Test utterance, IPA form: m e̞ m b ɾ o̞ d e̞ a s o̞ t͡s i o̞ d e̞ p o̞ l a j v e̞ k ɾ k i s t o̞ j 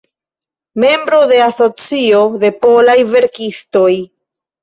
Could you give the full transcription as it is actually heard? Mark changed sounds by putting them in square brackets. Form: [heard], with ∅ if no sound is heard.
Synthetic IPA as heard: m e̞ m b ɾ o̞ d e̞ a s o̞ t͡s i o̞ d e̞ p o̞ l a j v e̞ [∅] ɾ k i s t o̞ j